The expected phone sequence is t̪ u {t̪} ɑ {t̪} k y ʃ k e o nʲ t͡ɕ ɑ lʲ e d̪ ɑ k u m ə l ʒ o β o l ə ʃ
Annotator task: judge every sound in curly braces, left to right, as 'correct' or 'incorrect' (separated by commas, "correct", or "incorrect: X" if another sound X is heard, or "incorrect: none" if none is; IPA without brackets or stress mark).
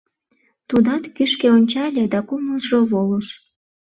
incorrect: d̪, correct